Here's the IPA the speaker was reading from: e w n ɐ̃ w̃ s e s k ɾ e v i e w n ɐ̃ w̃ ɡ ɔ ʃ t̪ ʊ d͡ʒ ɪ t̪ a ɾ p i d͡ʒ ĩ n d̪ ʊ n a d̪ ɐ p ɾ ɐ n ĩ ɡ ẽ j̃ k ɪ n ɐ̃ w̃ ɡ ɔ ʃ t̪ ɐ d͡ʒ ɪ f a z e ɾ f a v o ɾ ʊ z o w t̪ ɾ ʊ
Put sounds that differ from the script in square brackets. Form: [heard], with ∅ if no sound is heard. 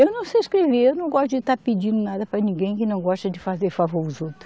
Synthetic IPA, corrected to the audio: e w n ɐ̃ w̃ s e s k ɾ e v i e w n ɐ̃ w̃ ɡ ɔ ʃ t̪ ʊ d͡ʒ ɪ t̪ a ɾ p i d͡ʒ ĩ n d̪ ʊ n a d̪ ɐ p ɾ ɐ n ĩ ɡ ẽ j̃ k ɪ n ɐ̃ w̃ ɡ ɔ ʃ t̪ ɐ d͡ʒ ɪ f a z e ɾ f a v o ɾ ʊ z o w t̪ ɾ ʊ